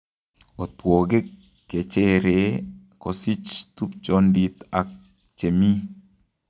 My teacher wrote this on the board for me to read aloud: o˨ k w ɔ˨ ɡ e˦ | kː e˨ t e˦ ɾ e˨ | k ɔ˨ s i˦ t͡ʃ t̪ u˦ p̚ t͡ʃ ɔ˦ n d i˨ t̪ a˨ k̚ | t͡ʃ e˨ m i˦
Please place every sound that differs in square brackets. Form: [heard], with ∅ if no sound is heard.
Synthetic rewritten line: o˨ [t] w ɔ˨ ɡ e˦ | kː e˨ [t͡ʃ] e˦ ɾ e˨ | k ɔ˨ s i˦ t͡ʃ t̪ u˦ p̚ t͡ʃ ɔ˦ n d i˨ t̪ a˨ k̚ | t͡ʃ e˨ m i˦